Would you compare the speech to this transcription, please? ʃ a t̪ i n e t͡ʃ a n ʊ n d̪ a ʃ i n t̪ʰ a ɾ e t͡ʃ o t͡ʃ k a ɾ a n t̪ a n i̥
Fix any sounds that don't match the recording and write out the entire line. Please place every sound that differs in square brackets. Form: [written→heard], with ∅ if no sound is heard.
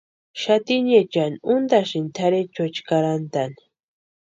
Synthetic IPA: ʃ a t̪ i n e t͡ʃ a n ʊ n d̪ a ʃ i n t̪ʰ a ɾ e t͡ʃ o t͡ʃ k a ɾ a n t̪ a n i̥